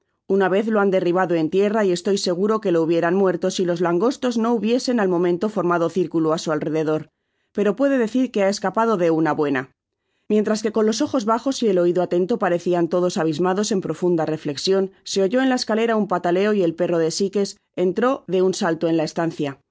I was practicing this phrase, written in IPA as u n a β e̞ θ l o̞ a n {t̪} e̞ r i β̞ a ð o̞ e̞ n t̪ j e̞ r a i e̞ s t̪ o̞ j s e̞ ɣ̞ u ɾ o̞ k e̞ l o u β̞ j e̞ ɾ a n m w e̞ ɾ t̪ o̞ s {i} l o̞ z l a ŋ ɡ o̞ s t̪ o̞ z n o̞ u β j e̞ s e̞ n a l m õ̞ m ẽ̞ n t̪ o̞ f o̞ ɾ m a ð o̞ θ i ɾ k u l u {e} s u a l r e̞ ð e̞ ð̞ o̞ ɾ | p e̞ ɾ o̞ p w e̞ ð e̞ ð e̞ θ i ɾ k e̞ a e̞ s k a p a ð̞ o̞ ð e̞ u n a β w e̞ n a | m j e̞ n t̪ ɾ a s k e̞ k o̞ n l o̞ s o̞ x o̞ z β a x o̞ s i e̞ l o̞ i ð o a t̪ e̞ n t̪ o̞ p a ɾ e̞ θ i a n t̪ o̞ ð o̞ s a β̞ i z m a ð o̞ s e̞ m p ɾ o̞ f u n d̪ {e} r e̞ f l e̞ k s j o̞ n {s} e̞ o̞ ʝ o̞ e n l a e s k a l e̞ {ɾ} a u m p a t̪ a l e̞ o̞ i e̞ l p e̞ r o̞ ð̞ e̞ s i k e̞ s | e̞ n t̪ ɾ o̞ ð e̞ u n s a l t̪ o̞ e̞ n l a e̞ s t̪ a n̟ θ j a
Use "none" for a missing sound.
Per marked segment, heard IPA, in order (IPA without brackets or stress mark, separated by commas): d̪, i, a, a, s, ɾ